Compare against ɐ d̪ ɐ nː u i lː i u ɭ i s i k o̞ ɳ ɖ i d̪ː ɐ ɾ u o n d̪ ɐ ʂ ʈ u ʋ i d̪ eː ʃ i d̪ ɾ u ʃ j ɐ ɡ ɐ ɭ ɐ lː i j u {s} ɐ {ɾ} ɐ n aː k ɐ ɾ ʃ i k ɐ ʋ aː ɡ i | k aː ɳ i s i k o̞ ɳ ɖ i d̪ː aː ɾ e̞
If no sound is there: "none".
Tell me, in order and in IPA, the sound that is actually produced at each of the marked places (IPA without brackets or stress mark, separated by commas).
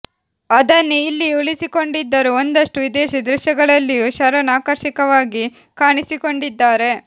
ʃ, ɾ